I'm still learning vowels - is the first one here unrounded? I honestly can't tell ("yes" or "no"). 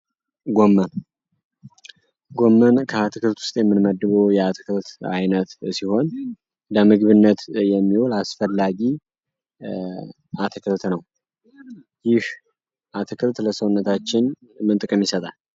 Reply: no